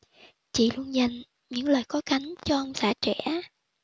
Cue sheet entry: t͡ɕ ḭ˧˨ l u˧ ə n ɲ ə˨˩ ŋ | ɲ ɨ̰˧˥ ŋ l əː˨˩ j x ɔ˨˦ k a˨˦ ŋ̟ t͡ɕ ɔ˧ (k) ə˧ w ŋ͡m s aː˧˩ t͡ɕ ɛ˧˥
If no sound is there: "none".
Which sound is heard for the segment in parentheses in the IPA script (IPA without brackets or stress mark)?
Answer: ʔ